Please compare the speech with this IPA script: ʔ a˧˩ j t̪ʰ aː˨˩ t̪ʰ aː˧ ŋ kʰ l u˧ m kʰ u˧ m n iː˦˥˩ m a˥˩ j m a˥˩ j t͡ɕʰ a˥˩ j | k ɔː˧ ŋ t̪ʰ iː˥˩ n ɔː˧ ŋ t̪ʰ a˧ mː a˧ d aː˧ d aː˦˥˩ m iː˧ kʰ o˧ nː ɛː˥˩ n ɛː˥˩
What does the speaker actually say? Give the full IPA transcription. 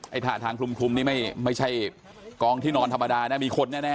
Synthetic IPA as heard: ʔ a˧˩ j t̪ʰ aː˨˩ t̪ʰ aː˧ ŋ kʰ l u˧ m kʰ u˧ m n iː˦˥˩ m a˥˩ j m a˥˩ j t͡ɕʰ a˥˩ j | k ɔː˧ ŋ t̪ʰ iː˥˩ n ɔː˧ n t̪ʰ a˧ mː a˧ d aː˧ n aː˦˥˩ m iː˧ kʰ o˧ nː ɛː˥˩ n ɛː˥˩

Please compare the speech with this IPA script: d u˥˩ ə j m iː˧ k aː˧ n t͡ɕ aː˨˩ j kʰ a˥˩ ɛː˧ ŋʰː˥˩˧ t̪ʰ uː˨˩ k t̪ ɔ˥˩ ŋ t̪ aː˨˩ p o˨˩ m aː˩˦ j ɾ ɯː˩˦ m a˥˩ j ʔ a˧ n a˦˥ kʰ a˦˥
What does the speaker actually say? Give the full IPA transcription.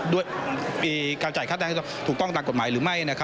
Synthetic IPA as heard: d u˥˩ ə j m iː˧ k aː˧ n t͡ɕ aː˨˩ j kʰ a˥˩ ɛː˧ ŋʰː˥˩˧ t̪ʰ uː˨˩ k t̪ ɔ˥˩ ŋ t̪ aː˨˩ k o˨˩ m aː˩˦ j ɾ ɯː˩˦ m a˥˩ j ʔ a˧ n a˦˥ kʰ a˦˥

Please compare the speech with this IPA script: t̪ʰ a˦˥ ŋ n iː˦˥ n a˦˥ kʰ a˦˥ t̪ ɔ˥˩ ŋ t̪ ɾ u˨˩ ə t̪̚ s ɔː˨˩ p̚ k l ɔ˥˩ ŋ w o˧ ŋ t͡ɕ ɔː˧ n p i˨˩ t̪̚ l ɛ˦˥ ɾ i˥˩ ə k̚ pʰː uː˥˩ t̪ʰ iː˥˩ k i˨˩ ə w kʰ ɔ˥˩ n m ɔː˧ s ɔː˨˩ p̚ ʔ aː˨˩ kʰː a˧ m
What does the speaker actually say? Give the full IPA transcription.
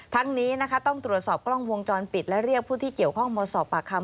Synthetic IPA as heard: t̪ʰ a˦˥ ŋ n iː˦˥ n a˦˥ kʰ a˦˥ t̪ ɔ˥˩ ŋ t̪ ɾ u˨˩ ə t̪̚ s ɔː˨˩ p̚ k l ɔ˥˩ ŋ w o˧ ŋ t͡ɕ ɔː˧ n p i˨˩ t̪̚ l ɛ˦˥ ɾ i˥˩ ə k̚ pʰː uː˥˩ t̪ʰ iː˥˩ k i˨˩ ə w kʰ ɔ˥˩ ŋ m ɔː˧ s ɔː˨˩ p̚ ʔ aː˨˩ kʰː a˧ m

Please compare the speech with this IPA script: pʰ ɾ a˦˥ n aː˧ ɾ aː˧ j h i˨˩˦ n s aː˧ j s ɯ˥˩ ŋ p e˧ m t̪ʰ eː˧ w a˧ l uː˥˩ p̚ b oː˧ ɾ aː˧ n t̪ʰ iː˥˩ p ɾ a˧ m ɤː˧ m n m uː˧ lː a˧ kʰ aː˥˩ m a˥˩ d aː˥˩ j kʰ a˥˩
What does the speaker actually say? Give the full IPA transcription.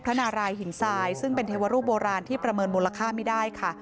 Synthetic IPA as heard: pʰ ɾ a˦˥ n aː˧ ɾ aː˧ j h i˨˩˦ n s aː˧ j s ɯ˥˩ ŋ p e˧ n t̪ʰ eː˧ w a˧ ɾ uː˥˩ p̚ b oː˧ ɾ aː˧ n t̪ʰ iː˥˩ p ɾ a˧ m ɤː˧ n m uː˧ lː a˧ kʰ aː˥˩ m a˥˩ d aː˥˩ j kʰ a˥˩

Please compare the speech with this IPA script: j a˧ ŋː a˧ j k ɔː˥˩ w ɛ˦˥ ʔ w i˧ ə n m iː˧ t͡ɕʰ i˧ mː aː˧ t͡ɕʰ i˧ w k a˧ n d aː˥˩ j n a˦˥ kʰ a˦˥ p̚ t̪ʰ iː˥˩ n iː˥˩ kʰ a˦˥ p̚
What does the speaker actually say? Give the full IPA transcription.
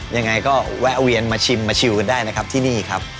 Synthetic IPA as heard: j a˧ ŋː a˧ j k ɔː˥˩ w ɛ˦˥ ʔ w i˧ ə n m aː˧ t͡ɕʰ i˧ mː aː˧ t͡ɕʰ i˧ w k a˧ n d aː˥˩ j n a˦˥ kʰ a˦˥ p̚ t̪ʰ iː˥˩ n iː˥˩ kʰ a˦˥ p̚

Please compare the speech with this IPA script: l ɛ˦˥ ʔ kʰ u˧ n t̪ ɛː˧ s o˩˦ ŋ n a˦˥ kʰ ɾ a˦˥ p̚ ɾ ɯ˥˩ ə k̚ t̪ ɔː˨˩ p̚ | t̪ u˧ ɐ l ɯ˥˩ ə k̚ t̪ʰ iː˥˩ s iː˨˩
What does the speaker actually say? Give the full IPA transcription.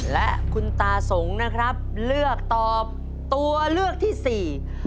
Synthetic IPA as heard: l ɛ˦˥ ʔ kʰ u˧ n t̪ aː˧ s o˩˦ ŋ n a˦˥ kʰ ɾ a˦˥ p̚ l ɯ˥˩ ə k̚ t̪ ɔː˨˩ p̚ | t̪ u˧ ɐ l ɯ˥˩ ə k̚ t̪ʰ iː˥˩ s iː˨˩

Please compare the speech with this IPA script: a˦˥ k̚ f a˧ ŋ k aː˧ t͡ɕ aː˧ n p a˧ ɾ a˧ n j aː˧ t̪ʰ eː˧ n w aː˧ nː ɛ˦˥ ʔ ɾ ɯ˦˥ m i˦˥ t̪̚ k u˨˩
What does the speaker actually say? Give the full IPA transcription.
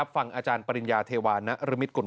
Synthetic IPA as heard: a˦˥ p̚ f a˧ ŋ ʔ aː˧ t͡ɕ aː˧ n p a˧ ɾ i˧ n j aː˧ t̪ʰ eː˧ w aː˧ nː a˦˥ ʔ ɾ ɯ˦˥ m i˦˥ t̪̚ k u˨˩

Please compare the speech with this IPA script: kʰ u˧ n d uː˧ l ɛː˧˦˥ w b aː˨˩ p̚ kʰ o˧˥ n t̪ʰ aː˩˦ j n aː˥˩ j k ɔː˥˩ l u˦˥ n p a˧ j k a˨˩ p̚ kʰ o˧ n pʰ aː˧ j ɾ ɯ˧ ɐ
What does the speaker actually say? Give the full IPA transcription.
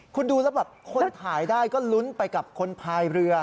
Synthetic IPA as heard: kʰ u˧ n d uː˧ l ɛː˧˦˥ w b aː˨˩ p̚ kʰ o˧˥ n t̪ʰ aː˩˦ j d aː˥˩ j k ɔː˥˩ l u˦˥ n p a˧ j k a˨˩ p̚ kʰ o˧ n pʰ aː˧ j ɾ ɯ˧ ɐ

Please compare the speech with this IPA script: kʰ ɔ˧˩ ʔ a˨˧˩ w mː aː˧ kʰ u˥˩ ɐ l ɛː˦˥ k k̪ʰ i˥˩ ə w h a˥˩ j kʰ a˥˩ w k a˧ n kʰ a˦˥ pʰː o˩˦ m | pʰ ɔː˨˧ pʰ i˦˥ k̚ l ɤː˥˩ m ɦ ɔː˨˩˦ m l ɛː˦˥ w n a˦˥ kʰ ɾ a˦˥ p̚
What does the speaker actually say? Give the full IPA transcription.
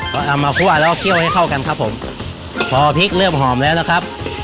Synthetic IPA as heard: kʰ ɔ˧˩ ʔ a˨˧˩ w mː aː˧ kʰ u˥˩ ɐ l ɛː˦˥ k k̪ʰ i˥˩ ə w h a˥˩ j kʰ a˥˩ w k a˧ n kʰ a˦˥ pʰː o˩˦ m | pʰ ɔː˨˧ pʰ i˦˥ k̚ l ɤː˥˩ m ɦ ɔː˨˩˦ m l ɛː˦˥ w n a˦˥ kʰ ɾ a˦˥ p̚

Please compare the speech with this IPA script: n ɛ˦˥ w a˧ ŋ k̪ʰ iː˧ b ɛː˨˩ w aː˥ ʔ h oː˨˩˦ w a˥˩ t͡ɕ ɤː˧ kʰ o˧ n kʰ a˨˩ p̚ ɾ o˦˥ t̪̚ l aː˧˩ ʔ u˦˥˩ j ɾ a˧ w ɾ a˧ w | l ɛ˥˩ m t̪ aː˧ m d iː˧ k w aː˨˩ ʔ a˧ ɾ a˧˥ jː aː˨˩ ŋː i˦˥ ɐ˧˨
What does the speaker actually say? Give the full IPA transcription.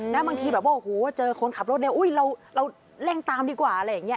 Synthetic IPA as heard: n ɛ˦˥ b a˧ ŋ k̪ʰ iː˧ b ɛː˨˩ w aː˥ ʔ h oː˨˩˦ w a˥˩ t͡ɕ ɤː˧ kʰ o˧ n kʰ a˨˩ p̚ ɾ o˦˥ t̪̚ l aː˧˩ ʔ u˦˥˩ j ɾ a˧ w ɾ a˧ w | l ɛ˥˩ ŋ t̪ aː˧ m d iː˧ k w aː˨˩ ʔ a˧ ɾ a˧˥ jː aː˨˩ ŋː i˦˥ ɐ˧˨

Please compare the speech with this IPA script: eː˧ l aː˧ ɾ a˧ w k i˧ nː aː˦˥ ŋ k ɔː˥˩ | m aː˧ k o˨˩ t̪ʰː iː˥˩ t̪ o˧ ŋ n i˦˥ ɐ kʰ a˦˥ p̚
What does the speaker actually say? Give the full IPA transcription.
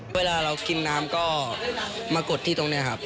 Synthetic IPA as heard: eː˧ l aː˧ ɾ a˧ w k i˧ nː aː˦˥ m k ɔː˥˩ | m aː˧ k o˨˩ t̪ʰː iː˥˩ t̪ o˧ ŋ n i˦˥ ɐ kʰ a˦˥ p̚

